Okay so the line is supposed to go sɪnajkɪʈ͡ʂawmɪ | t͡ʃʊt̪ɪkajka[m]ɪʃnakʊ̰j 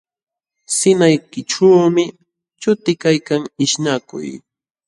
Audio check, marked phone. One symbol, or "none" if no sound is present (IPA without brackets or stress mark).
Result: ŋ